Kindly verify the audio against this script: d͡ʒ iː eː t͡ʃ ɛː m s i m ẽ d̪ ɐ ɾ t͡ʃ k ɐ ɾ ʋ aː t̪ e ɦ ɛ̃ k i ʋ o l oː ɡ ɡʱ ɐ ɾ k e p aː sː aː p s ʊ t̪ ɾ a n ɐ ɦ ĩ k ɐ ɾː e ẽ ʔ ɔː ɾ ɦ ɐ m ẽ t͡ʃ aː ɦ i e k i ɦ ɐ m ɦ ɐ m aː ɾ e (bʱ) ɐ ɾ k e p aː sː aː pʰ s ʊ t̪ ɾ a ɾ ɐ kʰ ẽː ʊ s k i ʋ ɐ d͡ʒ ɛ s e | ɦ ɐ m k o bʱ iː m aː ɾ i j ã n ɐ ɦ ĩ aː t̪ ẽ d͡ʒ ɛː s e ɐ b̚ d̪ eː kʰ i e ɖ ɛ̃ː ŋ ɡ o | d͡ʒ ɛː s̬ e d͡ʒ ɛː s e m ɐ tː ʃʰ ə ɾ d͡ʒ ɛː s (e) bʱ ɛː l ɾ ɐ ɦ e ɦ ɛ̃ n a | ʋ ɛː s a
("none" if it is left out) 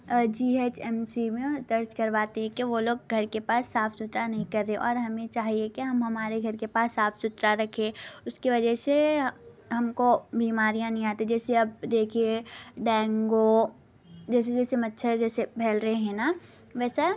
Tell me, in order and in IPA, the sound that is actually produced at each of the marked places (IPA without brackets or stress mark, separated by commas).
ɡʱ, e